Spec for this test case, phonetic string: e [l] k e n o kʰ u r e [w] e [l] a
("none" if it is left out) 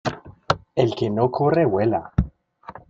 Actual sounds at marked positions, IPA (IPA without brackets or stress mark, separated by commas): l, w, l